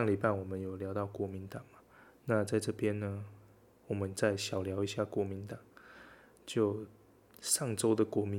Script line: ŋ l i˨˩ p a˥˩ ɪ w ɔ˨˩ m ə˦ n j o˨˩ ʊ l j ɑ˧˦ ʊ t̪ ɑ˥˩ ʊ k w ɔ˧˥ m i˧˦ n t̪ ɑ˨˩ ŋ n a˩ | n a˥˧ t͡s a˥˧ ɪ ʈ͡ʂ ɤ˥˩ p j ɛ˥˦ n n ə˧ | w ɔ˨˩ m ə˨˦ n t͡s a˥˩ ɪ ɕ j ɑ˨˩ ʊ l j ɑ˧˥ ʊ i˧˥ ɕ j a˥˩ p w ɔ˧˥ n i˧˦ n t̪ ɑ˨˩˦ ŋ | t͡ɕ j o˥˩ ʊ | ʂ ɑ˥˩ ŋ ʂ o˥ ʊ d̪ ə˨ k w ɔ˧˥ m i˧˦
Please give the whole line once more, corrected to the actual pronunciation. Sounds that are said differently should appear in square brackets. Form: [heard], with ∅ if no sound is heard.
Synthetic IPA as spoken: ŋ l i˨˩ p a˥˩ ɪ w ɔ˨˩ m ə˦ n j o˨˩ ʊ l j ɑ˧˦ ʊ t̪ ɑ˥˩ ʊ k w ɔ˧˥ m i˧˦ n t̪ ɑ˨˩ ŋ [m] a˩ | n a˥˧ t͡s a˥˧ ɪ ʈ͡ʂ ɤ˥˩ p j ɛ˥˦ n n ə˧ | w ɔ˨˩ m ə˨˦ n t͡s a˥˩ ɪ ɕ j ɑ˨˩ ʊ l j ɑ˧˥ ʊ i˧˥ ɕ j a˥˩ [k] w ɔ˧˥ [m] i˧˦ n t̪ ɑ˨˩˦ ŋ | t͡ɕ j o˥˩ ʊ | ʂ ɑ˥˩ ŋ [ʈ͡ʂ] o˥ ʊ d̪ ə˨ k w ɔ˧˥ m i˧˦